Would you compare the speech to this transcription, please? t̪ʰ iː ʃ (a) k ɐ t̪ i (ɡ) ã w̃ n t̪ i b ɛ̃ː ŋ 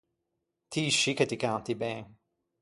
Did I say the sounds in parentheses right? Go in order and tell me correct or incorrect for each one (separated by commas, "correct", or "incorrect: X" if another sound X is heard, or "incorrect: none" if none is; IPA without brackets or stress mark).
incorrect: i, incorrect: k